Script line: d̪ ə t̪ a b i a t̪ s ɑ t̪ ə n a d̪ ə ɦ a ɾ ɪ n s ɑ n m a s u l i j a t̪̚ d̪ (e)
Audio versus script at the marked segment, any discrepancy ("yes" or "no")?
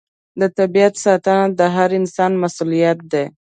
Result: no